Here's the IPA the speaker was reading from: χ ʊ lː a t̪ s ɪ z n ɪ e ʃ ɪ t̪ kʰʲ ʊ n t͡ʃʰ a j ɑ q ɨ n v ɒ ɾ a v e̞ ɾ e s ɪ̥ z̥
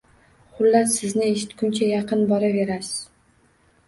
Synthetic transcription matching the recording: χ ʊ lː a t̪ s ɪ z n ɪ e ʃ ɪ t̪ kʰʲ ʊ n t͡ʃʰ a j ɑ q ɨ n b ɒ ɾ a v e̞ ɾ a s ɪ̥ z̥